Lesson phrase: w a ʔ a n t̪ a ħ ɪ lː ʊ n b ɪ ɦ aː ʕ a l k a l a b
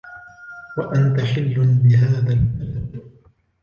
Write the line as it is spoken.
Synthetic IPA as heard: w a ʔ a n t̪ a ħ ɪ lː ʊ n b ɪ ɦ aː ð a l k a l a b